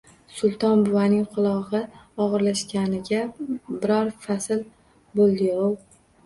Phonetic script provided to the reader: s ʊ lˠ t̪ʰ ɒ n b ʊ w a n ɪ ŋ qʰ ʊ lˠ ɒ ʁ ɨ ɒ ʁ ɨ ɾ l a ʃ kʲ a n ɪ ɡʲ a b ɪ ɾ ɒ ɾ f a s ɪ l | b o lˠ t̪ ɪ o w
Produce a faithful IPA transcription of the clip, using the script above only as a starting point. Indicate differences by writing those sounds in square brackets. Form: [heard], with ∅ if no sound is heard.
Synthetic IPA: s ʊ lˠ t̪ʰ ɒ n b ʊ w a n ɪ ŋ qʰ ʊ lˠ ɒ ʁ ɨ ɒ ʁ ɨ ɾ l a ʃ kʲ a n ɪ ɡʲ a b ɪ ɾ ɒ ɾ f a s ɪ l | b o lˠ [d̪] ɪ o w